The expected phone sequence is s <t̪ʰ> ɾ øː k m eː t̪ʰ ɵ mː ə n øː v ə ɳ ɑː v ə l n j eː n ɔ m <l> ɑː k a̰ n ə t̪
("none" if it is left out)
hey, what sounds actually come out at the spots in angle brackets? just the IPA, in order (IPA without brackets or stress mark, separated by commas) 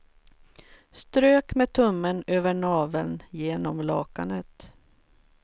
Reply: t̪, l